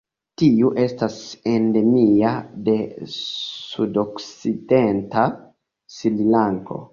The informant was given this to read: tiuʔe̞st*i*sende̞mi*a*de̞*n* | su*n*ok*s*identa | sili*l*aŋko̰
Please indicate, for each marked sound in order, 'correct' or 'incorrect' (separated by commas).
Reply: incorrect, correct, incorrect, incorrect, correct, correct